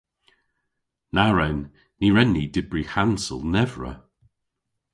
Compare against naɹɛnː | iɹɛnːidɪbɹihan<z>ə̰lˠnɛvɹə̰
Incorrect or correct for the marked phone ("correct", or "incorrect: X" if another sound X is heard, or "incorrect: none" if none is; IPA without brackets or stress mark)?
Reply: incorrect: s